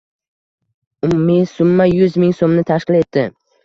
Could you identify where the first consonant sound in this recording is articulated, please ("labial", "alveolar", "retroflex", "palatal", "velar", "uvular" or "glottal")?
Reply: labial